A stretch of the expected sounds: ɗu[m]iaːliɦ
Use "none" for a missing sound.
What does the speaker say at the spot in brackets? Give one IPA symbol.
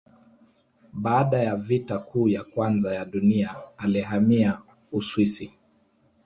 n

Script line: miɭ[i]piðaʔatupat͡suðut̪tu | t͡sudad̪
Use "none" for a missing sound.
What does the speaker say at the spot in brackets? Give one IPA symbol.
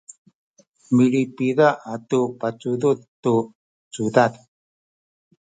i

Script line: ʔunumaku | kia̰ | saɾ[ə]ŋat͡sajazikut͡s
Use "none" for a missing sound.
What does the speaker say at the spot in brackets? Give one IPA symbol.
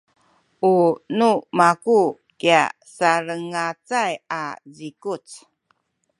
ə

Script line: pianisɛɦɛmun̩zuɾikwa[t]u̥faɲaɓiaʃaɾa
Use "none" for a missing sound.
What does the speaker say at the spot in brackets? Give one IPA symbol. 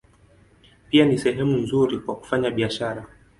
k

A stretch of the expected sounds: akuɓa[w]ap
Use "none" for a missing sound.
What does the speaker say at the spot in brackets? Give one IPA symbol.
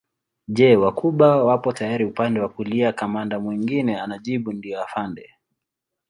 w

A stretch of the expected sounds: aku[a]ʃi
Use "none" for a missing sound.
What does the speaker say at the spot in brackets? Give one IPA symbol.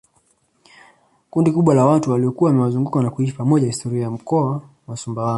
i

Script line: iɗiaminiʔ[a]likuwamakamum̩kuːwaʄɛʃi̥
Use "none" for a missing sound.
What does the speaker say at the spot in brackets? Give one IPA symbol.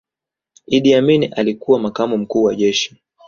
a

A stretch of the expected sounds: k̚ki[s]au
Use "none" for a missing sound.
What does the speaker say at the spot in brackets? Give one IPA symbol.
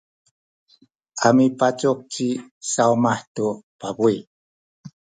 s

